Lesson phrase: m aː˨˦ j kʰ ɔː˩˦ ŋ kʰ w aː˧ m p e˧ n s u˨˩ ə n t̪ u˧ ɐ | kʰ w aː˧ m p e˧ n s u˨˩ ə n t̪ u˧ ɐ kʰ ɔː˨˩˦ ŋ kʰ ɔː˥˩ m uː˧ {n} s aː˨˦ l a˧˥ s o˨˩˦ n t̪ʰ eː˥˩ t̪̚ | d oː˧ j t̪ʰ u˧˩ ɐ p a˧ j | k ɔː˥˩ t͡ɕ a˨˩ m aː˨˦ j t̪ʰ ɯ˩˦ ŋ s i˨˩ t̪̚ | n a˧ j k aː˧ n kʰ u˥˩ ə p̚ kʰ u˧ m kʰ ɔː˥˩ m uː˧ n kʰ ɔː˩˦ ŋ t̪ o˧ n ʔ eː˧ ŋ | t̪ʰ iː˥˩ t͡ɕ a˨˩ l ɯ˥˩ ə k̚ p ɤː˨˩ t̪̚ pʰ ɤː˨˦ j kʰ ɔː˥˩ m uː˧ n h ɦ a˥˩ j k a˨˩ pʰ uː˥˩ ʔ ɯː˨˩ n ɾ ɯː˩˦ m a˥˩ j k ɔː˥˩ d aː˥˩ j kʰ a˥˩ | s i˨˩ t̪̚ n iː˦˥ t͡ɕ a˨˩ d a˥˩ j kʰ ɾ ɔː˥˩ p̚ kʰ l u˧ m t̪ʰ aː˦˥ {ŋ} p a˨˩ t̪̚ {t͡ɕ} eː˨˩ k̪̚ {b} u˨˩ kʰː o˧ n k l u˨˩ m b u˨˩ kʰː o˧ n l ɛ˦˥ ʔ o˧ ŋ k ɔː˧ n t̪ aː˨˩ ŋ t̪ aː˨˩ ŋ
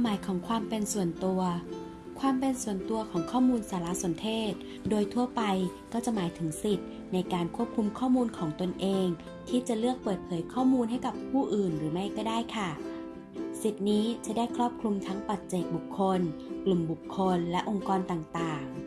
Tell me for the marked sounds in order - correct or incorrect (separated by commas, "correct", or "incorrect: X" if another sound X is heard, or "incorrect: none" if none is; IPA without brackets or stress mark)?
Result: correct, correct, correct, correct